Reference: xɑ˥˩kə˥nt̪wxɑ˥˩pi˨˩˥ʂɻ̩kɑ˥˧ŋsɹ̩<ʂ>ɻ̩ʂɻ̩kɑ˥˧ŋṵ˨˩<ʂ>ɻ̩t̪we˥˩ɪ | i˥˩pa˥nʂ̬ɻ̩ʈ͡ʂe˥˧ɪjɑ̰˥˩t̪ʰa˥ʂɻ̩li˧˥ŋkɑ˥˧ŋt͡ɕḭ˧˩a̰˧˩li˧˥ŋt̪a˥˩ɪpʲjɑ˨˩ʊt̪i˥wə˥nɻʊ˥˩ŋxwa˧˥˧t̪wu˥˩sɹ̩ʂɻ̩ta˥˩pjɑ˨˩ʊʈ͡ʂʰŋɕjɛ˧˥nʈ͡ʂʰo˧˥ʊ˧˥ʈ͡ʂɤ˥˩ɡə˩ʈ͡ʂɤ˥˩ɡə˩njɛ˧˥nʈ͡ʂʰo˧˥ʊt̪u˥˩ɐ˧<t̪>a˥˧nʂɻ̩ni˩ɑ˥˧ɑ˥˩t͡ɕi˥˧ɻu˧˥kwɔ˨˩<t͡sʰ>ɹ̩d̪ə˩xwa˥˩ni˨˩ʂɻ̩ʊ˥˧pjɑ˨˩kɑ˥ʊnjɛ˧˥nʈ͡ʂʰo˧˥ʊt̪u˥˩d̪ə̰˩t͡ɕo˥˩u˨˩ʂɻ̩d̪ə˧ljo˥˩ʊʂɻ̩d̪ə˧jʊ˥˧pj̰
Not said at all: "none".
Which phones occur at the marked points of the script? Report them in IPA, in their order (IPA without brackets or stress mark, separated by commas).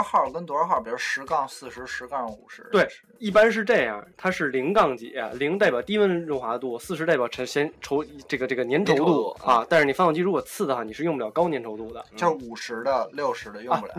ʂ, ʂ, t̪, t͡sʰ